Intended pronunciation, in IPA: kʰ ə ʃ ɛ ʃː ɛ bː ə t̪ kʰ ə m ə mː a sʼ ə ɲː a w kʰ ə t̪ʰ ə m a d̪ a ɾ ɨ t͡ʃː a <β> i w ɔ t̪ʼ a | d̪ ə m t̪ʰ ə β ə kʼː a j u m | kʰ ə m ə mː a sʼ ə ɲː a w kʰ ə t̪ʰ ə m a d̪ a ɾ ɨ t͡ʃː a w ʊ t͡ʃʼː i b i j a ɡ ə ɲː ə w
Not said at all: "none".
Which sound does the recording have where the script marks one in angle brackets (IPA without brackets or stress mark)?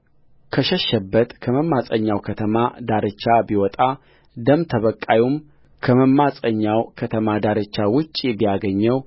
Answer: b